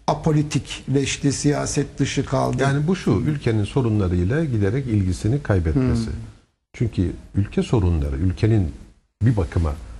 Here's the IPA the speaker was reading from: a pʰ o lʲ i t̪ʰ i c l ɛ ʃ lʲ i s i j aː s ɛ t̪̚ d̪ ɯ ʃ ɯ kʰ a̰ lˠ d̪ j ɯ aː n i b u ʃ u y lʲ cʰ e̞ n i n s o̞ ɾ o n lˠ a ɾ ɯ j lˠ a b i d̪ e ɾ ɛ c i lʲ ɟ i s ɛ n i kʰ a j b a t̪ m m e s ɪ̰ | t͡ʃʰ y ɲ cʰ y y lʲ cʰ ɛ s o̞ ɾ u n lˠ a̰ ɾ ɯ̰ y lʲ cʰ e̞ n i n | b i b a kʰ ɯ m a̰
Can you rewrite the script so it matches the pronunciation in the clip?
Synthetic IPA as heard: a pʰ o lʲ i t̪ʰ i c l ɛ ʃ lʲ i s i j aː s ɛ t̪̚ d̪ ɯ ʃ ɯ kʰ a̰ lˠ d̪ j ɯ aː n i b u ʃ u y lʲ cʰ e̞ n i n s o̞ ɾ u n lˠ a ɾ ɯ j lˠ a ɟ i d̪ e ɾ ɛ c i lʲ ɟ i s i n i kʰ a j b ɛ t̪ m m e s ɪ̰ | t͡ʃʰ y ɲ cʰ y y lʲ cʰ ɛ s o̞ ɾ u n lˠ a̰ ɾ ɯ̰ y lʲ cʰ e̞ n i n | b i b a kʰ ɯ m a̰

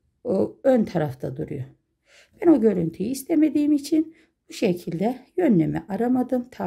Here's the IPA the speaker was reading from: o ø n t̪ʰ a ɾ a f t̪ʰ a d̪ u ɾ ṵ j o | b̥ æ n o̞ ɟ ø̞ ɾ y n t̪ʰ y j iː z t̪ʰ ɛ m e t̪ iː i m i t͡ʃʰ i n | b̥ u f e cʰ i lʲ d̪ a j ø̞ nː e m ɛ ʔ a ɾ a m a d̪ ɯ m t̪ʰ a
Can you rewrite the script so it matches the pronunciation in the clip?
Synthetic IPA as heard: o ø n t̪ʰ a ɾ a f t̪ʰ a d̪ u ɾ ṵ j o | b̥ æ n o̞ ɟ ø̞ ɾ y n t̪ʰ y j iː s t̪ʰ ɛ m e d̪ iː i m i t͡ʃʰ i n | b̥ u ʃ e cʰ i lʲ d̪ ɛ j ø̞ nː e m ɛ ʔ a ɾ a m a d̪ ɯ m t̪ʰ a

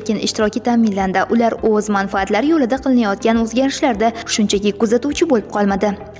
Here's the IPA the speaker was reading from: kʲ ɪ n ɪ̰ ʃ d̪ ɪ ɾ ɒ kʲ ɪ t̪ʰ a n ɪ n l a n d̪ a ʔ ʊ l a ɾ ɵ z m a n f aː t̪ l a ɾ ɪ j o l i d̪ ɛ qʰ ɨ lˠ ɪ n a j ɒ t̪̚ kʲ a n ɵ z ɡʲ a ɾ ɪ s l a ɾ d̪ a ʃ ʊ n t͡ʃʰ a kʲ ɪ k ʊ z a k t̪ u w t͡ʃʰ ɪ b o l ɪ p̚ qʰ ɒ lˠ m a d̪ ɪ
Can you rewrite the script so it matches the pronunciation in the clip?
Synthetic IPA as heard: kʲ ɪ n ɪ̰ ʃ t̪ ɪ ɾ ɒ kʲ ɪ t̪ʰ a m ɪ n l a n d̪ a ʔ ʊ l a ɾ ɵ z m a n f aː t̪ l a ɾ ɪ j o l ɪ d̪ a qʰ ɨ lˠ ɪ n a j ɒ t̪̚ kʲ a n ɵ z ɡʲ a ɾ ɪ ʃ l a ɾ d̪ a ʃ ʊ n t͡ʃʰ a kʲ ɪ k ʊ z a t̪ u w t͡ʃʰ ɪ b o l ɪ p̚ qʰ ɒ lˠ m a d̪ ɪ

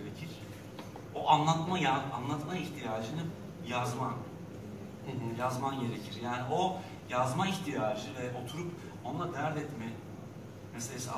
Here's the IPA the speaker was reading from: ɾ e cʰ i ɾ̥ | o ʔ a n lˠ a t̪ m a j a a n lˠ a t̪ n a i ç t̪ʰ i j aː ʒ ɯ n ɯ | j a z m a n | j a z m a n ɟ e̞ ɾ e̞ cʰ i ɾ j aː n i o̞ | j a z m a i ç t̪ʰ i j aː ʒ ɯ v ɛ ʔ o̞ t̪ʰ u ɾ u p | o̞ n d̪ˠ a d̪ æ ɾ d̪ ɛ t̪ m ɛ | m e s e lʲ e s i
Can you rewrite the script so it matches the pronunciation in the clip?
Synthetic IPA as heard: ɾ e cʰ i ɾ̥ | o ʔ a n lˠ a t̪ m a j a a n lˠ a t̪ m a i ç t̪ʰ i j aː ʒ ɯ n ɯ | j a z m a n | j a z m a n ɟ e̞ ɾ e̞ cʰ i ɾ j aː n i o̞ | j a z m a i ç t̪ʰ i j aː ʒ ɯ v ɛ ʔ o̞ t̪ʰ u ɾ u p | o̞ n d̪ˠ a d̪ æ ɾ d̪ ɛ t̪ m ɛ | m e s e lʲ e s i

